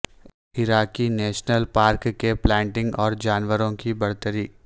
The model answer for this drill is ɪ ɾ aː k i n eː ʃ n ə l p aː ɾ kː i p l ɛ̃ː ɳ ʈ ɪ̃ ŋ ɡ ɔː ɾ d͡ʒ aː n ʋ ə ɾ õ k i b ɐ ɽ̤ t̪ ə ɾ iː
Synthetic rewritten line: ɪ ɾ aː k i n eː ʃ n ə l p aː ɾ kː e p l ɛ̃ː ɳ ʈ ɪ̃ ŋ ɡ ɔː ɾ d͡ʒ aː n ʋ ə ɾ õ k i b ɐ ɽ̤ t̪ ə ɾ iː